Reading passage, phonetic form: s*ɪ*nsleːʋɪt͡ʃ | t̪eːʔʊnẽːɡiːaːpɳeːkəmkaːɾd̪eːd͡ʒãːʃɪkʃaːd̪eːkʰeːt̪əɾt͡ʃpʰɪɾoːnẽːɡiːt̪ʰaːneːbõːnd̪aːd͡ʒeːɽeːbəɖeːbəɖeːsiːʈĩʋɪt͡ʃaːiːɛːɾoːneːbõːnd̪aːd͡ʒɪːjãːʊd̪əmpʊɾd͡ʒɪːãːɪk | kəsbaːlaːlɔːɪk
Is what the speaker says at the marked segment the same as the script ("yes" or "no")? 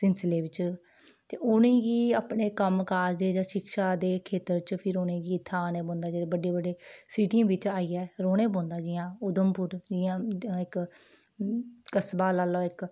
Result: yes